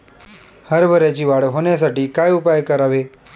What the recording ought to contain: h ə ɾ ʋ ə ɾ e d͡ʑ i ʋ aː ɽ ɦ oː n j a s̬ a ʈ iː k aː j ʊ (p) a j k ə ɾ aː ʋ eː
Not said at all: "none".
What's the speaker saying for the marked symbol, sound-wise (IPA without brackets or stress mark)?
p